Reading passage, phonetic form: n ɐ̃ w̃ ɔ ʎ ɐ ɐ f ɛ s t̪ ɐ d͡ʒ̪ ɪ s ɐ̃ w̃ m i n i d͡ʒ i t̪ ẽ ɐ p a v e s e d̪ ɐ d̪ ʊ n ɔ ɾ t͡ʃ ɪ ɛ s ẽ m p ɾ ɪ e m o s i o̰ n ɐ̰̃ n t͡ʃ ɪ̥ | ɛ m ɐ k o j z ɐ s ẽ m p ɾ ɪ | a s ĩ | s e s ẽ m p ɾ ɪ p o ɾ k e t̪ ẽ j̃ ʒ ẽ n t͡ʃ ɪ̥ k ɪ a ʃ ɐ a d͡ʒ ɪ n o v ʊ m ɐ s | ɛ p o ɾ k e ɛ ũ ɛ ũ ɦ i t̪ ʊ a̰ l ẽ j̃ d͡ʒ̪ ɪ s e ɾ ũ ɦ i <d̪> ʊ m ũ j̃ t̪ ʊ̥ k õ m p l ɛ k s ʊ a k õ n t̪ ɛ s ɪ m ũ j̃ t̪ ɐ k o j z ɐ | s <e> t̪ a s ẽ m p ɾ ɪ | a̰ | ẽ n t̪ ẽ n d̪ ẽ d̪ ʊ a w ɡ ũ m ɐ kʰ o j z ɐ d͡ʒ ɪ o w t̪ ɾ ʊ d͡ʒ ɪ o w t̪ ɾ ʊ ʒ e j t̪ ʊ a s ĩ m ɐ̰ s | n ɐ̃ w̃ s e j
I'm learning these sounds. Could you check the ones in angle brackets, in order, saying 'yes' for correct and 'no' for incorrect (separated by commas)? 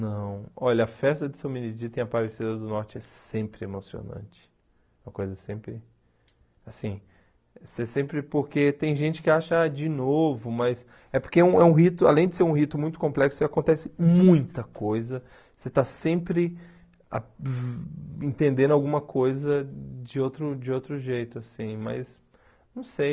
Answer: no, yes